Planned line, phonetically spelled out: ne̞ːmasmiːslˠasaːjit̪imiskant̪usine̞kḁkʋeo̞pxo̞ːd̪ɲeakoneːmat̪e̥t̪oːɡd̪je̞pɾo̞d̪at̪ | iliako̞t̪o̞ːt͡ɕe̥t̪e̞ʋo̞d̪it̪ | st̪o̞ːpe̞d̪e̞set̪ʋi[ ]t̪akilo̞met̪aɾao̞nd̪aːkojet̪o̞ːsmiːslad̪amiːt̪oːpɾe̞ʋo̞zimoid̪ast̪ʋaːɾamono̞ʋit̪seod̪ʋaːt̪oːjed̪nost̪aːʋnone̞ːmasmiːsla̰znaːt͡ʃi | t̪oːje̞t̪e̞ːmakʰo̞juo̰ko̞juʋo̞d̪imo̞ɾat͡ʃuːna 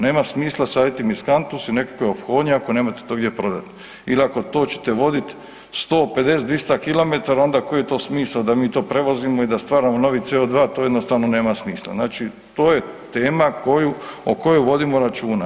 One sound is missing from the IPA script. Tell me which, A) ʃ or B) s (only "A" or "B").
B